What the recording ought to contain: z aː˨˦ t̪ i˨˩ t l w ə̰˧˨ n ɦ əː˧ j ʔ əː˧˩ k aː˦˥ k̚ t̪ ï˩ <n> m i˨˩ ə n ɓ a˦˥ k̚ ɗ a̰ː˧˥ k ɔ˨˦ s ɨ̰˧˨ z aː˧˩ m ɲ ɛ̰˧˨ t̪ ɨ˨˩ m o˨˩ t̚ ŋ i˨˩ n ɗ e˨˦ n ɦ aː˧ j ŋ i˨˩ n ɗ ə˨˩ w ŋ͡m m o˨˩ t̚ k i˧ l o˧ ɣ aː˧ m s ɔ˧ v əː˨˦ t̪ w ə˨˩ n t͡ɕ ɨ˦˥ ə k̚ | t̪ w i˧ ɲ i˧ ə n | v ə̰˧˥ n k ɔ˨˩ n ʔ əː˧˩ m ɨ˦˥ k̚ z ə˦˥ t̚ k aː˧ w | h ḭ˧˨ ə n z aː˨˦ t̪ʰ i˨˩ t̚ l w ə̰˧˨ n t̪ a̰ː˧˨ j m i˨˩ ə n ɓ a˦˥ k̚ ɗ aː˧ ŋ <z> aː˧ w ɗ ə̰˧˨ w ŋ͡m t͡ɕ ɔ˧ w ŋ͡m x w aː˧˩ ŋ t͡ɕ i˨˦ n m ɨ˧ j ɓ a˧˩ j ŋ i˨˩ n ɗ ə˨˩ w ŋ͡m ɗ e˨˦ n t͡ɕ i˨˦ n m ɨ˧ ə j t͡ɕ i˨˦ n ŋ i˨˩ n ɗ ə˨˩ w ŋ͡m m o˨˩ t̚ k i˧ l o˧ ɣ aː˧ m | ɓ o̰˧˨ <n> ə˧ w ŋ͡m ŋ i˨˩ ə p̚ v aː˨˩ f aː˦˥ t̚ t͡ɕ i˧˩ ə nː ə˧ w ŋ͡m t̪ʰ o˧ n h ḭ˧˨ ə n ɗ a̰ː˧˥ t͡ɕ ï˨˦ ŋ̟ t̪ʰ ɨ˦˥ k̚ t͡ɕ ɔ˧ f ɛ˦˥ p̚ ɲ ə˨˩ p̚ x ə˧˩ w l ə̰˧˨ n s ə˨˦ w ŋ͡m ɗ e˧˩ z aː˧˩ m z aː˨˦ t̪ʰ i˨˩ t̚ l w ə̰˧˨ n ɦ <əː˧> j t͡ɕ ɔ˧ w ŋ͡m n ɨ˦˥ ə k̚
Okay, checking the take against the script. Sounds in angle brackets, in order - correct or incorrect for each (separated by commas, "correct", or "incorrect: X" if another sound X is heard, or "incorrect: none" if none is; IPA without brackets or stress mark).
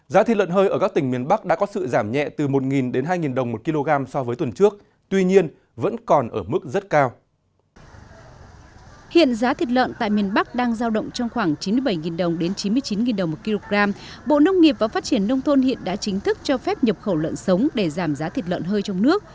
incorrect: ŋ, correct, correct, correct